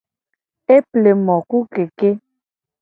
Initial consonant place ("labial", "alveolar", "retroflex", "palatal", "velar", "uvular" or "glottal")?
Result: labial